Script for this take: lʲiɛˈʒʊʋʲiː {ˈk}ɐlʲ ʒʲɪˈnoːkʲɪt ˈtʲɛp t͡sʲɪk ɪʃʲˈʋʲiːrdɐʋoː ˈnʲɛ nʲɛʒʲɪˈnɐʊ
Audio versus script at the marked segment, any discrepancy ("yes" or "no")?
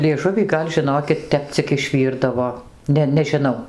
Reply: yes